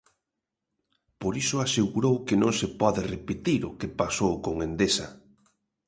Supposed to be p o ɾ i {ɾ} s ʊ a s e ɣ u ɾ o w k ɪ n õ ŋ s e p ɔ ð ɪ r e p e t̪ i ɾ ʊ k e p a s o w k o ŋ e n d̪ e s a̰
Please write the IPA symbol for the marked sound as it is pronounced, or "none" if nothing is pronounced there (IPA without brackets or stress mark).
none